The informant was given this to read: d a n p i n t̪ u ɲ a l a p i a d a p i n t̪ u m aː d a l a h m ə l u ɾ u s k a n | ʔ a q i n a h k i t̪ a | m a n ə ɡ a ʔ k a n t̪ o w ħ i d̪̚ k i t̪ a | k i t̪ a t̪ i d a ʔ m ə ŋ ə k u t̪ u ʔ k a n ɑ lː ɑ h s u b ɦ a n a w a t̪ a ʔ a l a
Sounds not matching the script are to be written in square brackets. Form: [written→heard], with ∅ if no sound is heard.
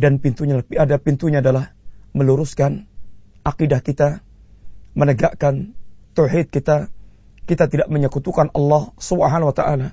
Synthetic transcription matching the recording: d a n p i n t̪ u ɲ a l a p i a d a p i n t̪ u [m→ɲ] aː d a l a h m ə l u ɾ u s k a n | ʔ a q i [n→d] a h k i t̪ a | m [a→ə] n ə ɡ a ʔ k a n t̪ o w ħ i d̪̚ k i t̪ a | k i t̪ a t̪ i d a ʔ m ə [ŋ→ɲ] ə k u t̪ u [ʔ→∅] k a n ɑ lː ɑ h s u b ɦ a n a w a t̪ a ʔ a l a